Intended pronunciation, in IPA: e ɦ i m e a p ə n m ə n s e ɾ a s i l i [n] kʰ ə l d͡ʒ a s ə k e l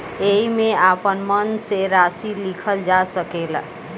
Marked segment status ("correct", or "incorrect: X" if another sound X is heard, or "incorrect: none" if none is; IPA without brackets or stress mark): incorrect: none